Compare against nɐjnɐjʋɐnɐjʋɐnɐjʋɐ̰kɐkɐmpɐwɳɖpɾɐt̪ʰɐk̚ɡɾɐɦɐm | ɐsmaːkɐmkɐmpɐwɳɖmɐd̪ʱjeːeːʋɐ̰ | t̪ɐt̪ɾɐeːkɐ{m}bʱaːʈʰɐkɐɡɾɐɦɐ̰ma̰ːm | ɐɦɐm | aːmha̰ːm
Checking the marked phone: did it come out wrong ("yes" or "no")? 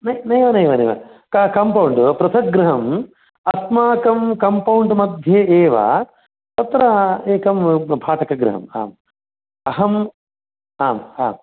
no